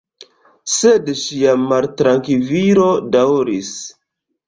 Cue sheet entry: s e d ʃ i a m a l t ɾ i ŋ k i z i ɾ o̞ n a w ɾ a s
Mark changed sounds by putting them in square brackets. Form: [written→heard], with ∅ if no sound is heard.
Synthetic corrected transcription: s e d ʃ i a m a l t ɾ [i→a] ŋ k i [z→v] i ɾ o̞ [n→d] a w ɾ [a→i] s